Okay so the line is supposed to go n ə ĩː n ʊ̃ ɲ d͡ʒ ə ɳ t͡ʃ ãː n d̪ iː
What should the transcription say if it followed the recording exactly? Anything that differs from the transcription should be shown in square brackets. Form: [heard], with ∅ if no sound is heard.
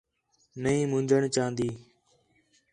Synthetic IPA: n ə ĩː [m] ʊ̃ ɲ d͡ʒ ə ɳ t͡ʃ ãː n d̪ iː